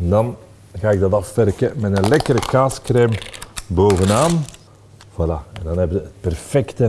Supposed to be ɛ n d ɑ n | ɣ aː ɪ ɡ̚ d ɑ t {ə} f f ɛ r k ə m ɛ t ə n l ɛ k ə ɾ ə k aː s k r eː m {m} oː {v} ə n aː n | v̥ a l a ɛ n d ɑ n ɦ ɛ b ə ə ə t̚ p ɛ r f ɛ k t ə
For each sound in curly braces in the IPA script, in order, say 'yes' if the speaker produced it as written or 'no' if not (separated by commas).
no, no, yes